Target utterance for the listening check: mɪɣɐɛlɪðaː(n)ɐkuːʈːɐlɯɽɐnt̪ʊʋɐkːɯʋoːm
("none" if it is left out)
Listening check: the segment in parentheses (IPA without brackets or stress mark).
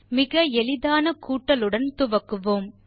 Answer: n